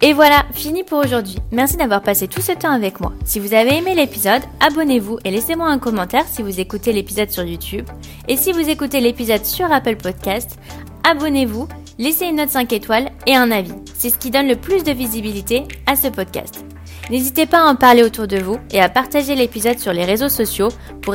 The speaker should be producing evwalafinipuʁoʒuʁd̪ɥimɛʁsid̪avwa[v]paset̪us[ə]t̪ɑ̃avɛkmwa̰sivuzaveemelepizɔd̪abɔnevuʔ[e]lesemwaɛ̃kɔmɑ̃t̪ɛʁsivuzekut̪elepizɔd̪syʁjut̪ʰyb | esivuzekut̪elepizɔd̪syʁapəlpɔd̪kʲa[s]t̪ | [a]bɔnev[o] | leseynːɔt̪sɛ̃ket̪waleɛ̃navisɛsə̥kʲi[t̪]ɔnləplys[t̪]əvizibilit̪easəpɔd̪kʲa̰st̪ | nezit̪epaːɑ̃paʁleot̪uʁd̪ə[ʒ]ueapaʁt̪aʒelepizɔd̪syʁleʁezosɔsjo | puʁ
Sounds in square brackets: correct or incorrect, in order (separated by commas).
incorrect, correct, correct, correct, correct, incorrect, incorrect, incorrect, incorrect